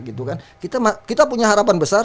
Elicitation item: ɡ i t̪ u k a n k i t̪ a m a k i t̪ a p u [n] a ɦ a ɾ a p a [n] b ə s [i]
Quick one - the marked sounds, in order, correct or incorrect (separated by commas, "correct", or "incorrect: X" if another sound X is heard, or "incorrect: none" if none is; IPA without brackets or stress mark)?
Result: incorrect: ɲ, correct, incorrect: a